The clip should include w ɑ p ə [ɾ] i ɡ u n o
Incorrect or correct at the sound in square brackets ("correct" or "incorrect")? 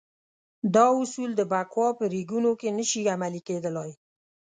correct